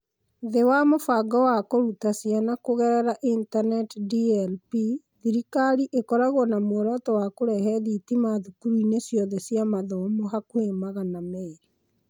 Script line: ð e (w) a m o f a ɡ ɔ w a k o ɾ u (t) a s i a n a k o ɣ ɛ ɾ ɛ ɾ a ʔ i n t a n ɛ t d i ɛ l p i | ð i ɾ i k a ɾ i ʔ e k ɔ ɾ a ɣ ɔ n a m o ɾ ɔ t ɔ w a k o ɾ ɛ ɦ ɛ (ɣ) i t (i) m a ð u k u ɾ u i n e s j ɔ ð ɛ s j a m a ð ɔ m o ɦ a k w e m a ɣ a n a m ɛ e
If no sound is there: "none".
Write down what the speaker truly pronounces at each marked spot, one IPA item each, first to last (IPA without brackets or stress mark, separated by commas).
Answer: w, t, ð, i